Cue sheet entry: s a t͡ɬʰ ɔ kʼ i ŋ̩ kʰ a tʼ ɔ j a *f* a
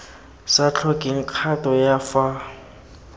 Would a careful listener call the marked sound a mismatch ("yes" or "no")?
no